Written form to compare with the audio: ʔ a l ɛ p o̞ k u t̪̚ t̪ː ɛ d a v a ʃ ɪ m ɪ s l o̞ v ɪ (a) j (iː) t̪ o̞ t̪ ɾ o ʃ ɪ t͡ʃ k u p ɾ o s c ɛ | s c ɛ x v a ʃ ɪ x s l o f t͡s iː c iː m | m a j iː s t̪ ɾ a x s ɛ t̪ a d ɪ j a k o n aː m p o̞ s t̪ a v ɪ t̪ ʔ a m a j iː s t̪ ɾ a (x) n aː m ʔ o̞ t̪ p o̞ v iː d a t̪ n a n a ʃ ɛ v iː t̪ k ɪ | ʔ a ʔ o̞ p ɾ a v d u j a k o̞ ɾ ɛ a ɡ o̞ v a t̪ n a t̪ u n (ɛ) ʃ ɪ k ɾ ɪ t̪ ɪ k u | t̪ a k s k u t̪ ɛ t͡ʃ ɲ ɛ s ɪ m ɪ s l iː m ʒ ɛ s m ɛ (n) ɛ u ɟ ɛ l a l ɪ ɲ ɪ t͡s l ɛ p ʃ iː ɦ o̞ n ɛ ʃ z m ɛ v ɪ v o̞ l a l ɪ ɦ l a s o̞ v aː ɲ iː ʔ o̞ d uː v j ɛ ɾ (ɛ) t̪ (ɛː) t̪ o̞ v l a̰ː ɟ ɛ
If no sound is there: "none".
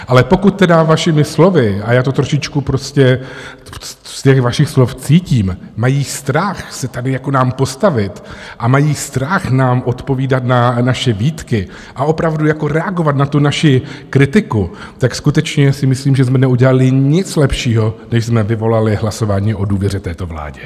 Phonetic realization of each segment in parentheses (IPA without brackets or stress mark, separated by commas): a, aː, x, a, n, ɛ, ɛː